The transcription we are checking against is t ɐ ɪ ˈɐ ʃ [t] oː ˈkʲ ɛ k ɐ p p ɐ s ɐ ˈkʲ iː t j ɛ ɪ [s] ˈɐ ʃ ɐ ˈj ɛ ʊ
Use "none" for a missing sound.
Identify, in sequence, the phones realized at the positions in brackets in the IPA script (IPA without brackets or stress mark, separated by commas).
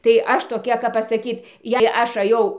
t, none